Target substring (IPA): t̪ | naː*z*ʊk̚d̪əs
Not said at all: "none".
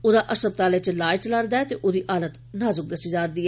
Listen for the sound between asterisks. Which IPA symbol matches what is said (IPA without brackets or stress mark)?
z